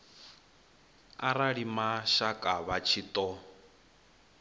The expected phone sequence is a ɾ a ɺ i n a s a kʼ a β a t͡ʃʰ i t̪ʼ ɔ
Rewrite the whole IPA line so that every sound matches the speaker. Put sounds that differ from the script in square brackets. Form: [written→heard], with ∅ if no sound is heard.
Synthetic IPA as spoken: a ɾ a ɺ i [n→m] a [s→ʃ] a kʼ a β a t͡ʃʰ i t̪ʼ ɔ